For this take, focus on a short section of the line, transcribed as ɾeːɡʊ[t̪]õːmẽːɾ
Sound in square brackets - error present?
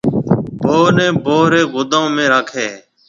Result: yes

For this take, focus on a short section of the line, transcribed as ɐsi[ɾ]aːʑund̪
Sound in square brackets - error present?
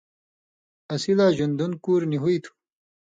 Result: yes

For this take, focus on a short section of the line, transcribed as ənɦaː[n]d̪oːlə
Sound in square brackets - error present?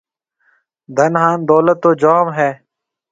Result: no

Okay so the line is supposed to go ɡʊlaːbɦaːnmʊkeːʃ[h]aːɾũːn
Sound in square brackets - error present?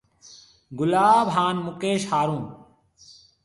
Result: no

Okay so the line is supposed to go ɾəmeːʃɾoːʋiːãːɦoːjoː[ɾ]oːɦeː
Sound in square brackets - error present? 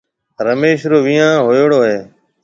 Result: yes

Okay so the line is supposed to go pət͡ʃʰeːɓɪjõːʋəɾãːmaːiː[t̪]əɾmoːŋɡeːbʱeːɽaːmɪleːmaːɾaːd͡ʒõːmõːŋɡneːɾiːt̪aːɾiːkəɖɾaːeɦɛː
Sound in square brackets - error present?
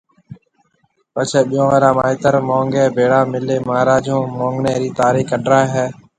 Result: no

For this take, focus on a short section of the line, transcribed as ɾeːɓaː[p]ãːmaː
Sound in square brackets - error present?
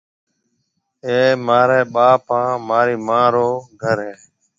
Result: no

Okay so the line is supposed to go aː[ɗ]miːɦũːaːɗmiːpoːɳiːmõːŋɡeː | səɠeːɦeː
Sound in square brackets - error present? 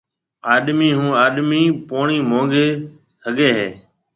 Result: no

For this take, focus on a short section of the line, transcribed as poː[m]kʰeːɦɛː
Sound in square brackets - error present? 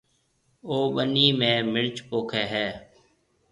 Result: yes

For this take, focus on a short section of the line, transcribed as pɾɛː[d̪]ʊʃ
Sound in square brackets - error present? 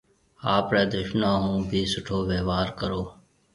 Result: no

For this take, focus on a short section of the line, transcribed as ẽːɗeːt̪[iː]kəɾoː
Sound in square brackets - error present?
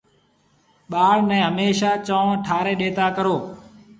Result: yes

